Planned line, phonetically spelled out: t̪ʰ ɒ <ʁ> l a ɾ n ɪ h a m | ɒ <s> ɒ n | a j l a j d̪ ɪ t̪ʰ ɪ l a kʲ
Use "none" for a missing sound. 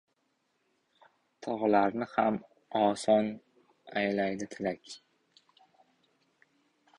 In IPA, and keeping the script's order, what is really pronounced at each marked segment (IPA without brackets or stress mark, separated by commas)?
ʁ, s